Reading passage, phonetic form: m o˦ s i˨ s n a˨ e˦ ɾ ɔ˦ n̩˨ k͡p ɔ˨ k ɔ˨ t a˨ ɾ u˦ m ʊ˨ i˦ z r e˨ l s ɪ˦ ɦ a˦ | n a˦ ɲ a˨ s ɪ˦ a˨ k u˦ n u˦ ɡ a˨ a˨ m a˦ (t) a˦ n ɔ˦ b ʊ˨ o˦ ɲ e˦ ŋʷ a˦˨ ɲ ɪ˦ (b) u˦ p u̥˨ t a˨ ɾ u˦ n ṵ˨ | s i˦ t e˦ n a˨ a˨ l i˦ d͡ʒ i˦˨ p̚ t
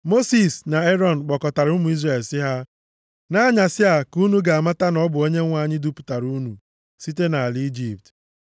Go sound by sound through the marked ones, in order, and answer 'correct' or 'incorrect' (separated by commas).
correct, incorrect